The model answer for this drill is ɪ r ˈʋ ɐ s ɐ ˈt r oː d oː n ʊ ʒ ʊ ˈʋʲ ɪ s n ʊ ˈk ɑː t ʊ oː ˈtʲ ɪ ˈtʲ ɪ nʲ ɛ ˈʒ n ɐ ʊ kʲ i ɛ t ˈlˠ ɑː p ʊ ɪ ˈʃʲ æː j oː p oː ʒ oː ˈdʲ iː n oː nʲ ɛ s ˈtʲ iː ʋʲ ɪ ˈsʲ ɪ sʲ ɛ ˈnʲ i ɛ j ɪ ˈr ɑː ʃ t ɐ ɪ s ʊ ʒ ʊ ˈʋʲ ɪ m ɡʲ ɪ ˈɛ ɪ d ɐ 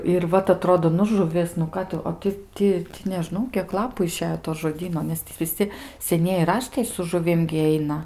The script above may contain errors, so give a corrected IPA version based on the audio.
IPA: ɪ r ˈʋ ɐ t ɐ ˈt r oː d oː n ʊ ʒ ʊ ˈʋʲ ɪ s n ʊ ˈk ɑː t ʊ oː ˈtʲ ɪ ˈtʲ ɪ nʲ ɛ ˈʒ n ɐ ʊ kʲ i ɛ k ˈlˠ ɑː p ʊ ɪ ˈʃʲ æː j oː t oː ʒ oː ˈdʲ iː n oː nʲ ɛ s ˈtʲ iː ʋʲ ɪ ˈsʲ ɪ sʲ ɛ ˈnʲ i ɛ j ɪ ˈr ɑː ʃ t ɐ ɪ s ʊ ʒ ʊ ˈʋʲ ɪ m ɡʲ ɪ ˈɛ ɪ n ɐ